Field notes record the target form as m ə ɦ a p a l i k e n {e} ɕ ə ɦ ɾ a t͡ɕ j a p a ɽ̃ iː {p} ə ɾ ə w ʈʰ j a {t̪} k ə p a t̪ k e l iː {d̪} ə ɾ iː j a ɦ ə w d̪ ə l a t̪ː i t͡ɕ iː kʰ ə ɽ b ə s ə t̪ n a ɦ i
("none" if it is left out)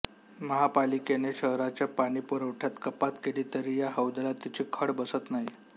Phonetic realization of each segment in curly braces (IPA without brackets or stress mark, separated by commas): e, p, t̪, t̪